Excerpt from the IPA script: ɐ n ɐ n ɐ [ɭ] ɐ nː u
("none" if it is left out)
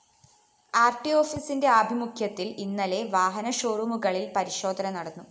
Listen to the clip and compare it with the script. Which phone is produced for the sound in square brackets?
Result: ɽ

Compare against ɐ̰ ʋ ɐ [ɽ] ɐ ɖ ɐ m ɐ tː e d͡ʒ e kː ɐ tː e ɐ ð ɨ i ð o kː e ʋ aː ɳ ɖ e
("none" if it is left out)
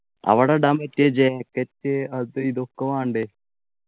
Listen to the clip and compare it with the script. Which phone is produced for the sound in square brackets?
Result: ɽ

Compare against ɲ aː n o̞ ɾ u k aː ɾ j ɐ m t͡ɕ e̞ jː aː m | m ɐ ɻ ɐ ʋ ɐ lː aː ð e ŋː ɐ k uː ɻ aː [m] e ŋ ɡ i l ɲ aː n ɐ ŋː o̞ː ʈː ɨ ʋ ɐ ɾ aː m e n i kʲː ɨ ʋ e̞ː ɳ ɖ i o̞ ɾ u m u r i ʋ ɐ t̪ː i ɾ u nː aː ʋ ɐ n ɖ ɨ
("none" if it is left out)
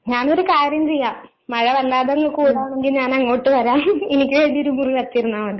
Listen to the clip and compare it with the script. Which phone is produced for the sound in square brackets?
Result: ɳ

